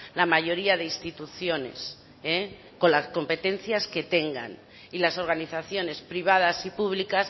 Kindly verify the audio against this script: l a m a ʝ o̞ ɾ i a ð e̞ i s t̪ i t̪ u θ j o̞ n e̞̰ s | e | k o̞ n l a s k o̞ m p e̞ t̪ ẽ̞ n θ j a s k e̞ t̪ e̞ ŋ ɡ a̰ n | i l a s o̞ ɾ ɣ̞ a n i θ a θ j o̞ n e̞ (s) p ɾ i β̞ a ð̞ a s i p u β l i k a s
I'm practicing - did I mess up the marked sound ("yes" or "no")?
no